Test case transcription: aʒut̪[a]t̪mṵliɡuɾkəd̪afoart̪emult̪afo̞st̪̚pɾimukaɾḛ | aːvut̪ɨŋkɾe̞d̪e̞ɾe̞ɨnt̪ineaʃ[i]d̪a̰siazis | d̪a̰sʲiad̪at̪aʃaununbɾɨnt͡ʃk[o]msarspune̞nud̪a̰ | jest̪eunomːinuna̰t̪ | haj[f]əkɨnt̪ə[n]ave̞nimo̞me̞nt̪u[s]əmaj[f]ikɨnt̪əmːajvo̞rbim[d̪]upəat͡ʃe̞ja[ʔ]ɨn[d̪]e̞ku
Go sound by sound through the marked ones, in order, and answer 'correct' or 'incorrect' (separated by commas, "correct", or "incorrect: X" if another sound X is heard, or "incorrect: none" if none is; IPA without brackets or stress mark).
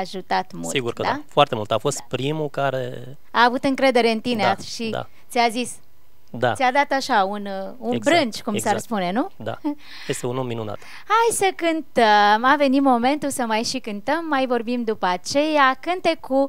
correct, correct, incorrect: u, incorrect: s, incorrect: m, correct, incorrect: ʃ, correct, incorrect: k, incorrect: t̪